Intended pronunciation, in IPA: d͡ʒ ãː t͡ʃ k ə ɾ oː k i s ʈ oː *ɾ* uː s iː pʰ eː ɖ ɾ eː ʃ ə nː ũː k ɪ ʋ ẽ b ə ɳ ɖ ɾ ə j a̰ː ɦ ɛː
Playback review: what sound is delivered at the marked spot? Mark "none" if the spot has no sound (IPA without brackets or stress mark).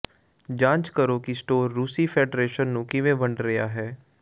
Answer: ɾː